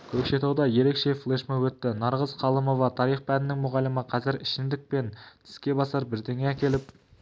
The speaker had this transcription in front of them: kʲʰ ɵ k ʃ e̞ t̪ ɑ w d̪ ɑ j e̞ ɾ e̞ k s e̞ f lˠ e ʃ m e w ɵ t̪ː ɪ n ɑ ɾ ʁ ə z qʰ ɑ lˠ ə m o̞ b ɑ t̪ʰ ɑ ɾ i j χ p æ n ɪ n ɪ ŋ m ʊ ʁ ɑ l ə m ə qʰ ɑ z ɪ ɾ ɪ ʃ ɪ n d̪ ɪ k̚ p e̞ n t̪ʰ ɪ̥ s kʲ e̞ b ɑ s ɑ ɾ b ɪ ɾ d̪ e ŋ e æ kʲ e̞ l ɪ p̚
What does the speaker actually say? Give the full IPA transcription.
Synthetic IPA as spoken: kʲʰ ɵ k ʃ e̞ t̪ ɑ w d̪ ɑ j e̞ ɾ e̞ k ʃ e̞ f lˠ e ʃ m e w ɵ t̪ː ɪ n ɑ ɾ ʁ ə z qʰ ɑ lˠ ə m o̞ v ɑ t̪ʰ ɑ ɾ i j χ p æ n ɪ n ɪ ŋ m ʊ ʁ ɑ l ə m ə qʰ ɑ z ɪ ɾ ɪ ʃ ɪ n d̪ ɪ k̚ p e̞ n t̪ʰ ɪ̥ s kʲ e̞ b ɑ s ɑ ɾ b ɪ ɾ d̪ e ŋ e æ kʲ e̞ l ɪ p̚